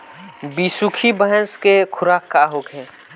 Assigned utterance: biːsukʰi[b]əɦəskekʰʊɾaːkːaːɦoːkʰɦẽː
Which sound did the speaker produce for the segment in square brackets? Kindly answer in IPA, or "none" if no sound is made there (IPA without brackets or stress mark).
b